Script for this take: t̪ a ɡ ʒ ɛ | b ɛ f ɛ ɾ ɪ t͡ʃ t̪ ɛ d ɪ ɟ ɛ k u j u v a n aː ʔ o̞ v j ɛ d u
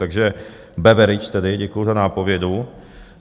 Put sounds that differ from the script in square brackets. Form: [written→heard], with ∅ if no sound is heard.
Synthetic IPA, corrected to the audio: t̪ a ɡ ʒ ɛ | b ɛ [f→v] ɛ ɾ ɪ t͡ʃ t̪ ɛ d ɪ ɟ ɛ k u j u [v→z] a n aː [ʔ→p] o̞ v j ɛ d u